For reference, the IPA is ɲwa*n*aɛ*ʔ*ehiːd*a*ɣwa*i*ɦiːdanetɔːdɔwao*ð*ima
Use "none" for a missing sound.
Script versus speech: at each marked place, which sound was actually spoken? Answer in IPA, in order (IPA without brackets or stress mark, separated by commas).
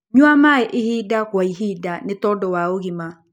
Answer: m, ʔ, a, i, ɣ